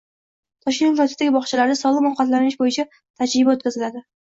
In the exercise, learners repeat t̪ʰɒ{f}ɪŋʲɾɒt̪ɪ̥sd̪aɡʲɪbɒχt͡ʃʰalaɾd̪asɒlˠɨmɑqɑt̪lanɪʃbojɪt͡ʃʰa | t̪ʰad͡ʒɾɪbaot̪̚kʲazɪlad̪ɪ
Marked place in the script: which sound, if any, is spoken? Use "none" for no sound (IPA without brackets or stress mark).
ʃ